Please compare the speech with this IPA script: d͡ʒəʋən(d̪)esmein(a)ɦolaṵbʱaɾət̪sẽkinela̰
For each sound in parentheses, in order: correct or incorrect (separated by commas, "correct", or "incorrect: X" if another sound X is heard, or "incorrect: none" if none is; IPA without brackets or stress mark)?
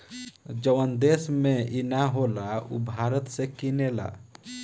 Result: correct, correct